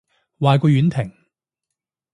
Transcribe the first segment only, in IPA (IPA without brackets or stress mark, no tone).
w